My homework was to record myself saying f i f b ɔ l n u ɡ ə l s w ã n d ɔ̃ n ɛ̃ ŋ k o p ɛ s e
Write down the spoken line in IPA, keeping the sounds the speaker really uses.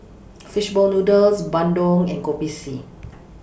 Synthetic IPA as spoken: f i ʃ b ɔ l n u d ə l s b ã n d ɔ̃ ŋ ɛ̃ n k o p i s i